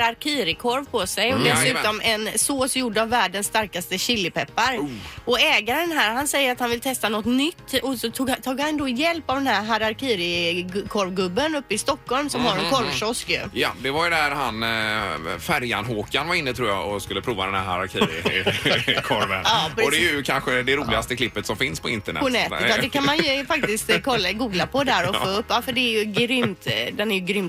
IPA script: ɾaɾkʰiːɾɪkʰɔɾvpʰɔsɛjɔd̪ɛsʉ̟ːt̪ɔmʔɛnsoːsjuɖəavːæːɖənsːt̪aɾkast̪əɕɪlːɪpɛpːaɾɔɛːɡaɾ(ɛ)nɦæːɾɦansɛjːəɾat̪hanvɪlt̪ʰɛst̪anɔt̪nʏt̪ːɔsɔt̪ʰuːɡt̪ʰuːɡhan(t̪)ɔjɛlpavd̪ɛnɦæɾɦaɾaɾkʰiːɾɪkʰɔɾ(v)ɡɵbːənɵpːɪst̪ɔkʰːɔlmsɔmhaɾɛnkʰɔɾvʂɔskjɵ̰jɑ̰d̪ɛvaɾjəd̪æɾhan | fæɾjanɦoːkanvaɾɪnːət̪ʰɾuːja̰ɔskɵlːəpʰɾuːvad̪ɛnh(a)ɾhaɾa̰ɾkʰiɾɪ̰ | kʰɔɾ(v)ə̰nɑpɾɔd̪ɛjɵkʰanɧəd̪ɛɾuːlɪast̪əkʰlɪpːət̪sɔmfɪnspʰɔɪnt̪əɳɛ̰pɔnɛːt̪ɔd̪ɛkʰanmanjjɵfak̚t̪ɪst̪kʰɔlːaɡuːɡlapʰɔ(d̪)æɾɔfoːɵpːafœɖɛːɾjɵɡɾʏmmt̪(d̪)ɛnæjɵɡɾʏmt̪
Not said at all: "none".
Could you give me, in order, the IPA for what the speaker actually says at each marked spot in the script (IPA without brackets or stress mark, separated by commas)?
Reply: ɛ, d̪, v, æ, v, d̪, d̪